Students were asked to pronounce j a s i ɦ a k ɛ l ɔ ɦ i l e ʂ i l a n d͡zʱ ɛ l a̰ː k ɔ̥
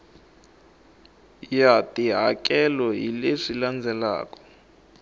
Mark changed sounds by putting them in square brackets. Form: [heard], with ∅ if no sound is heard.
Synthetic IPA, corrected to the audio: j a [t] i ɦ a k ɛ l ɔ ɦ i l e ʂ i l a n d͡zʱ ɛ l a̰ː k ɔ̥